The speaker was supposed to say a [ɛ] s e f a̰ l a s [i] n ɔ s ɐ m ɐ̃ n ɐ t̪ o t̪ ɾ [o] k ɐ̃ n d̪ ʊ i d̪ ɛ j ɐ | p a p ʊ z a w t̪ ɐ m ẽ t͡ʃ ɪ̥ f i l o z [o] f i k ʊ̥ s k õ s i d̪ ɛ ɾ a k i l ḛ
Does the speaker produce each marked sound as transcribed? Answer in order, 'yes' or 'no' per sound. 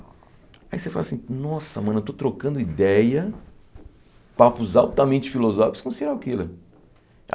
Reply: no, no, yes, no

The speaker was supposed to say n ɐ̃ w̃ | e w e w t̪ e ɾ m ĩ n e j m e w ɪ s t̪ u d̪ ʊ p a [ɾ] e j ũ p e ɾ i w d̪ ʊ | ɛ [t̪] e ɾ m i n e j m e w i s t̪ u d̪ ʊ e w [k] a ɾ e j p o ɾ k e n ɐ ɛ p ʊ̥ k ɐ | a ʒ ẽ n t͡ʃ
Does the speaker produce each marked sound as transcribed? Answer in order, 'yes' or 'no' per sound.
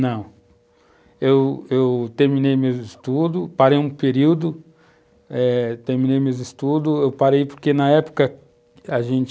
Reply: yes, yes, no

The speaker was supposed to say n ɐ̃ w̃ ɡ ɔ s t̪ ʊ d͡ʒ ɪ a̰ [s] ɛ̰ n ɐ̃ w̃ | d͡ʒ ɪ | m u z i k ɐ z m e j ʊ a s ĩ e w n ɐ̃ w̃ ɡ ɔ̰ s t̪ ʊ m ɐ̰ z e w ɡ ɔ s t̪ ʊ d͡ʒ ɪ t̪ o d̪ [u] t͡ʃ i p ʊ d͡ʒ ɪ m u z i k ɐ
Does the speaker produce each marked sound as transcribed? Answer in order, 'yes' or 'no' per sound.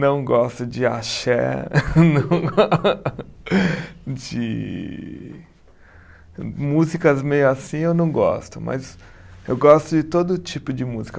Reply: no, no

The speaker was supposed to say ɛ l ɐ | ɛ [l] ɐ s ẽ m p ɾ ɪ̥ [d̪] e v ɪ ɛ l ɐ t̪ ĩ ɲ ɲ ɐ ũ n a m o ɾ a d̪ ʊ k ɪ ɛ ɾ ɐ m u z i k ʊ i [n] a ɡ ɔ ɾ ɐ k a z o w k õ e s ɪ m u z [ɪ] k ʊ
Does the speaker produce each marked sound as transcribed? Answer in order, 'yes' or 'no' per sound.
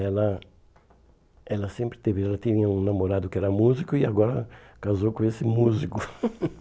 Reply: yes, no, no, no

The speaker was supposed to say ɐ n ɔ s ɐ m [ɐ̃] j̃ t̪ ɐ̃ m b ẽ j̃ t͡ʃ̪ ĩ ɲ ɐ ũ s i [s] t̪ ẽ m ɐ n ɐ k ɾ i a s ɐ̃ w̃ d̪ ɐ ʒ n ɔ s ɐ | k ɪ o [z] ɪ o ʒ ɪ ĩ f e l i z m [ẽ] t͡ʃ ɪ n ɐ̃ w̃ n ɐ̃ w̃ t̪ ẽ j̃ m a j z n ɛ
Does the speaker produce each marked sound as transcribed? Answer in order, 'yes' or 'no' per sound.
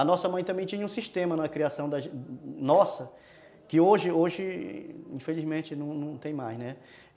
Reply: yes, no, no, yes

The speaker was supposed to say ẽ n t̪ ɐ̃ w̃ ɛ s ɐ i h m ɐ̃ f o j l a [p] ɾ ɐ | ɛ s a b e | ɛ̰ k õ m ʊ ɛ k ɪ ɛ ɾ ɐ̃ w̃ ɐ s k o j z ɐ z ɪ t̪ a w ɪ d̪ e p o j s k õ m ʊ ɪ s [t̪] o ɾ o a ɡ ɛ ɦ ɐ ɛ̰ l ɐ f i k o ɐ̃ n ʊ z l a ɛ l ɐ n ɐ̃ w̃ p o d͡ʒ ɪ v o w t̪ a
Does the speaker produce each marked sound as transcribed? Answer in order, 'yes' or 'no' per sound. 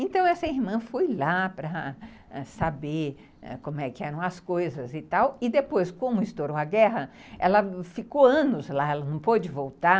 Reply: yes, yes

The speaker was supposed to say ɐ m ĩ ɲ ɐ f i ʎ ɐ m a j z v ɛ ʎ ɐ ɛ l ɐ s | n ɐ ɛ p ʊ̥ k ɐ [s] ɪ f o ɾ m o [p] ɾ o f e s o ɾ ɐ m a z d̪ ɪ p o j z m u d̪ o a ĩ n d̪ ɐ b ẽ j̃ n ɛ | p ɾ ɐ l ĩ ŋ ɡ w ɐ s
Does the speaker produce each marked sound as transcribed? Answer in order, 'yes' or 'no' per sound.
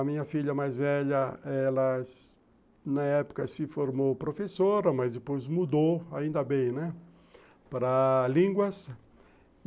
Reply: yes, yes

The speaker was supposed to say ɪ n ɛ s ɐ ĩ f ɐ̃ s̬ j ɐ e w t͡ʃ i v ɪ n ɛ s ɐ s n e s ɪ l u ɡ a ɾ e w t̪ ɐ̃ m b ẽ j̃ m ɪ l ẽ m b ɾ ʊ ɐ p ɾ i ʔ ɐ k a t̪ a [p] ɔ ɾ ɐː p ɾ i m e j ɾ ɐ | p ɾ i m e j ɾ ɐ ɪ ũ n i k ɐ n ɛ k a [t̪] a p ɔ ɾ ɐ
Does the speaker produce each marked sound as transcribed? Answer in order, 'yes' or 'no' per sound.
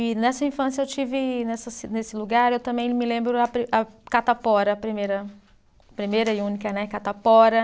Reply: yes, yes

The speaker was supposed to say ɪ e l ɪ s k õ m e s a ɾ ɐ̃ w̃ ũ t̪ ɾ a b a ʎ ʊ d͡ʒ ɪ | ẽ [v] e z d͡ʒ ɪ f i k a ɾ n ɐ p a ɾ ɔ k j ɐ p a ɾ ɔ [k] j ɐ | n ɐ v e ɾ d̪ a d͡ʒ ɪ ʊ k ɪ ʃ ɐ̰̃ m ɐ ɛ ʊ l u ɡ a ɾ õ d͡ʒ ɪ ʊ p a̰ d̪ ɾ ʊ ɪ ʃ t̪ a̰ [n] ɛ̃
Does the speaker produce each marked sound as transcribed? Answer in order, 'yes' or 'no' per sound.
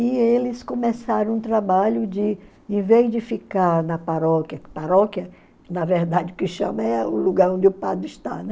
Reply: yes, yes, yes

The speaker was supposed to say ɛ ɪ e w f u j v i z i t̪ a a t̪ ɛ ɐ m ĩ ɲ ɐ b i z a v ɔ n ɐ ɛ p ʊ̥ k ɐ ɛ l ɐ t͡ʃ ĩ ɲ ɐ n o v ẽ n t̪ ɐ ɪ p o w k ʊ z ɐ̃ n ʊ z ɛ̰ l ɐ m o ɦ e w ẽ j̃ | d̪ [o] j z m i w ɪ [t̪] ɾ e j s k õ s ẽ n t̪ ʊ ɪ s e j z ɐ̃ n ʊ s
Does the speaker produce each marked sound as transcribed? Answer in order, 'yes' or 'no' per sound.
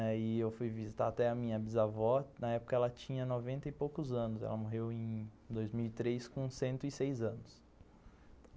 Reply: yes, yes

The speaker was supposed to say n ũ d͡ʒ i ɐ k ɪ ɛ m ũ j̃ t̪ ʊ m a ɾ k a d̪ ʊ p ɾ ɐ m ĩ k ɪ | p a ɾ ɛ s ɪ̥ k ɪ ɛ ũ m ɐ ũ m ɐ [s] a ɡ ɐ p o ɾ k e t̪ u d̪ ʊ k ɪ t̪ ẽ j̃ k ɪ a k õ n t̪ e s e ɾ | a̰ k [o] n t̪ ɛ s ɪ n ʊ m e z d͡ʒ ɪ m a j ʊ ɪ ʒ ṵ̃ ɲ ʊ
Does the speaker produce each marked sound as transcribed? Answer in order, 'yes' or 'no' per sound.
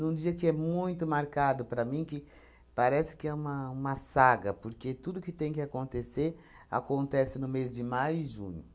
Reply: yes, no

